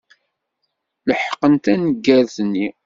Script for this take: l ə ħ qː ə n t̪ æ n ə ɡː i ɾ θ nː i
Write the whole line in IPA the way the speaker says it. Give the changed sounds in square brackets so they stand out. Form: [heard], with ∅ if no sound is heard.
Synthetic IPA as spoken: l ə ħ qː ə n t̪ æ n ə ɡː [æ] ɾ θ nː i